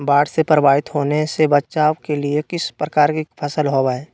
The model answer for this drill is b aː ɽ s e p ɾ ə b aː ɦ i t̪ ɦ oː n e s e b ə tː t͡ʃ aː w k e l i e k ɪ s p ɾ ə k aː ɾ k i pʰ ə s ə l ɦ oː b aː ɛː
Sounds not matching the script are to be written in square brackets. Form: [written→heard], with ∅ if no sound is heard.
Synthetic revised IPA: b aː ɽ s e p ɾ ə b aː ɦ [i→ɪ] t̪ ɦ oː n e s e b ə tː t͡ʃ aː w k e l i e k ɪ s p ɾ ə k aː ɾ k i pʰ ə s ə l ɦ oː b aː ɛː